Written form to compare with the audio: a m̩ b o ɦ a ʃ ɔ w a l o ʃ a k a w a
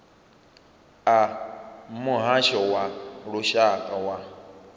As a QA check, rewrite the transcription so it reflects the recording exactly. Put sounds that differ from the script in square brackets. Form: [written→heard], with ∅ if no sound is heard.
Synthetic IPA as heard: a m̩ [b→m] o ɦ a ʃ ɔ w a [l→ɾ] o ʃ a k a w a